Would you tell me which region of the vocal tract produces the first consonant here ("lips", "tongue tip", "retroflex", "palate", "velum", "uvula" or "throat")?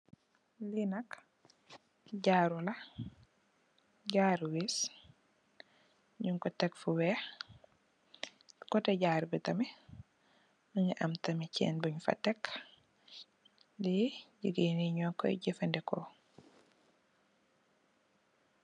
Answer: tongue tip